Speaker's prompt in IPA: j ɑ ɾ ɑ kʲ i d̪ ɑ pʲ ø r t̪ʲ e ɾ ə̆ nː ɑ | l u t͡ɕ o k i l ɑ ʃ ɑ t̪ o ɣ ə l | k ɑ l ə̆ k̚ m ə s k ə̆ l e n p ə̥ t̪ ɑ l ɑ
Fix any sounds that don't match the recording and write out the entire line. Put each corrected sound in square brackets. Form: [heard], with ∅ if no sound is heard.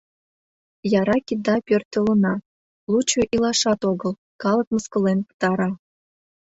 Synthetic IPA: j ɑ ɾ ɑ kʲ i d̪ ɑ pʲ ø r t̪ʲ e [l] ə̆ [n] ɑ | l u t͡ɕ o [ʔ] i l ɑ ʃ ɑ t̪ o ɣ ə l | k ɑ l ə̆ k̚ m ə s k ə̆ l e n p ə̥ t̪ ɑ [ɾ] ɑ